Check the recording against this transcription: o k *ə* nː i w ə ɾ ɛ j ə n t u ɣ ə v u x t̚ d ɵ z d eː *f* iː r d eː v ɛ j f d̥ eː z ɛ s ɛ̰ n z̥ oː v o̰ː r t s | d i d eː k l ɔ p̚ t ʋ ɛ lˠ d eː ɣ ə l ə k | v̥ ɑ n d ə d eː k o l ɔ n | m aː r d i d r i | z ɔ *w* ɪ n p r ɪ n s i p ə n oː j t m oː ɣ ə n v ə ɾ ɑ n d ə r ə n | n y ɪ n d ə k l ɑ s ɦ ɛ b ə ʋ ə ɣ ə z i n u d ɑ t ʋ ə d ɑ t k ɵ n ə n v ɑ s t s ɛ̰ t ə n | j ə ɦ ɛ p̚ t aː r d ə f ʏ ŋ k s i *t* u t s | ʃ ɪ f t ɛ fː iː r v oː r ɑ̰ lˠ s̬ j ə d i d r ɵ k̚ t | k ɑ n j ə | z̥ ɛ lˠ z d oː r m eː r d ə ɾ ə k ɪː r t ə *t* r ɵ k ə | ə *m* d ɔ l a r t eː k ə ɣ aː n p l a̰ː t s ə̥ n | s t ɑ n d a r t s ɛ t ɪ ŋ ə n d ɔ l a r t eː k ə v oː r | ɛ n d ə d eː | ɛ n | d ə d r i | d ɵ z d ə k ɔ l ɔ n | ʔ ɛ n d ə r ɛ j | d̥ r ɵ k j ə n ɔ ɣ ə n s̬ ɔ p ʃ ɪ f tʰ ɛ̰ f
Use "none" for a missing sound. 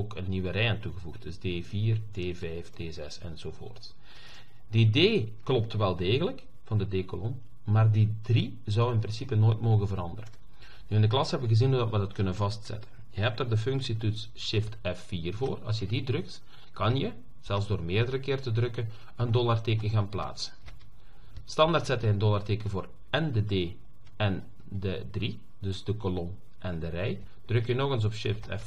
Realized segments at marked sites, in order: ə, v, w, t, d, n

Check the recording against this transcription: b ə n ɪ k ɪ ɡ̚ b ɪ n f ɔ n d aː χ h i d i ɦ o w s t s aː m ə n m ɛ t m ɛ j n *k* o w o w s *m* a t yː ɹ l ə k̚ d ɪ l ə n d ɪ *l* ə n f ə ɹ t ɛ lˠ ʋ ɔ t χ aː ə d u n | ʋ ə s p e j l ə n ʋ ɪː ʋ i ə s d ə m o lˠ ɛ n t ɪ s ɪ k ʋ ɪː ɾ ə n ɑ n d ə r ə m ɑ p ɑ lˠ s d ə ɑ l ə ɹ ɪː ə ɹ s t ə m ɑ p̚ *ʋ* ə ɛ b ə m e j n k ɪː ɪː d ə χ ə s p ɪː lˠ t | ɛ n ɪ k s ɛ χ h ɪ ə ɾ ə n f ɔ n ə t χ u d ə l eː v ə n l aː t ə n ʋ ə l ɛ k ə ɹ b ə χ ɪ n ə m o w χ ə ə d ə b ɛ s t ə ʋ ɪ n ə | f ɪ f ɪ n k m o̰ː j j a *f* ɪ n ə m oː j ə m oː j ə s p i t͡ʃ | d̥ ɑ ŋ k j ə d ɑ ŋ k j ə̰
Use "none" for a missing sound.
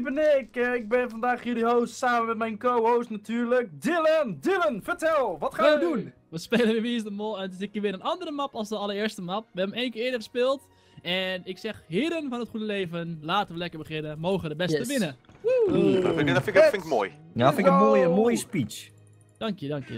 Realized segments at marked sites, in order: k, n, l, ʋ, f

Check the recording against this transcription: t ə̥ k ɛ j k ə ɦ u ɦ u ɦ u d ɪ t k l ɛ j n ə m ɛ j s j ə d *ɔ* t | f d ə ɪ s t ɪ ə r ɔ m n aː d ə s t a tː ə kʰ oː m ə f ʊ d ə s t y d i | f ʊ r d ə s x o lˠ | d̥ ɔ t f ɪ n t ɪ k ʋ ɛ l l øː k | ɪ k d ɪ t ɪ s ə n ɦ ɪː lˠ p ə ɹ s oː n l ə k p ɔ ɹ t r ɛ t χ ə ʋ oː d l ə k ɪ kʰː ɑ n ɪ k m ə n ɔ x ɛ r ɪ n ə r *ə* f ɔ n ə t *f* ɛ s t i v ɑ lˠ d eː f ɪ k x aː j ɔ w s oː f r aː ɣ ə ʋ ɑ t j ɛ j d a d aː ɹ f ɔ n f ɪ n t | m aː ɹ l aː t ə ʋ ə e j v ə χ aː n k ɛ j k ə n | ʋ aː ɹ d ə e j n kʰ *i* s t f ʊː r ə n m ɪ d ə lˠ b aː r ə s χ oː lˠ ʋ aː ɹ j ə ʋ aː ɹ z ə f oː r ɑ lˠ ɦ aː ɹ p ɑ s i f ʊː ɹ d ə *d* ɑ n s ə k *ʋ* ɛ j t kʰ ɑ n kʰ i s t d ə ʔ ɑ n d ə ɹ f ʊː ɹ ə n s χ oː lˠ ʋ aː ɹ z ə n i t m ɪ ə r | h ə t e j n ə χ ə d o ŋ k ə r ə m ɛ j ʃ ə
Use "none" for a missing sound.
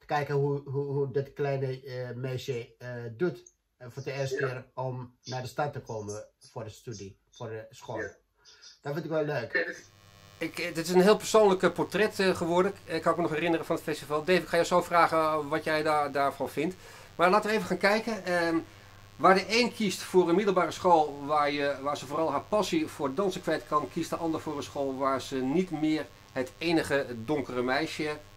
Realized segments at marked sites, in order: u, ə, f, i, d, ʋ

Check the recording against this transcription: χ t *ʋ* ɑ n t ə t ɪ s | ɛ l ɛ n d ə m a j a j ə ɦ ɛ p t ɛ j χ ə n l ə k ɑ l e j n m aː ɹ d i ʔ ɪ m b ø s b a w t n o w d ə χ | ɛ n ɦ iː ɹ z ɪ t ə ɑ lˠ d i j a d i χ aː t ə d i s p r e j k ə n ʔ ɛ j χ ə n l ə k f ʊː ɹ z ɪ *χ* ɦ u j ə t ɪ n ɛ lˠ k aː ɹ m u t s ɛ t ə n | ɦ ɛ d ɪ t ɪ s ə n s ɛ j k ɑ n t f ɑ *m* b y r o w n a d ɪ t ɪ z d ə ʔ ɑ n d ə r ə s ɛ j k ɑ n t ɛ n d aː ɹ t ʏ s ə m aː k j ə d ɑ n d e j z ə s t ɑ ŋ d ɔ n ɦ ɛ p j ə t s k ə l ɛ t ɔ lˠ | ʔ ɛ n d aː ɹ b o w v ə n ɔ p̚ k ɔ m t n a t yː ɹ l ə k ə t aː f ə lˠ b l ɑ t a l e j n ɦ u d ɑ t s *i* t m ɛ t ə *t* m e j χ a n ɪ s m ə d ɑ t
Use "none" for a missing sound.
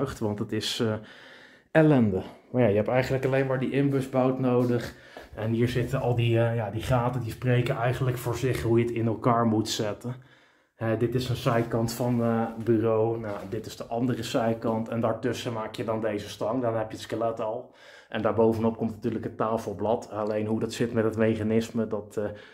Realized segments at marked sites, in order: ʋ, χ, n, ɪ, t

